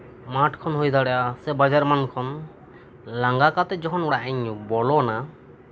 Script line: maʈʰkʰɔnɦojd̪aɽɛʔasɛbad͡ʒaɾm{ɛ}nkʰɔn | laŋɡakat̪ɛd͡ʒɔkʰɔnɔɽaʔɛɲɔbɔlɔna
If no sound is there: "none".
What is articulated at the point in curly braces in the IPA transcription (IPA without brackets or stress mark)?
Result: a